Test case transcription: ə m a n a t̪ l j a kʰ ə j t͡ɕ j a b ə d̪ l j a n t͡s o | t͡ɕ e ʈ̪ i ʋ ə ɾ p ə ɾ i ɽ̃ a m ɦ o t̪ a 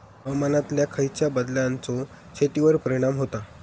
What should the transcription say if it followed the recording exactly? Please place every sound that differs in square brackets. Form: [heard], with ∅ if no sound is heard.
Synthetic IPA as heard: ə m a n a t̪ l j a kʰ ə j t͡ɕ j a b ə d̪ l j a n t͡s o | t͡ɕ e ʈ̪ i ʋ ə ɾ p ə ɾ i ɽ̃ a m ɦ o t̪ a